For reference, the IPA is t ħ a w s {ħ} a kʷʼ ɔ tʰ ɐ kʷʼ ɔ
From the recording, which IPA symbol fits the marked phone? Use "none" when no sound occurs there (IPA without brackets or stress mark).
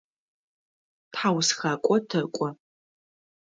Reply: x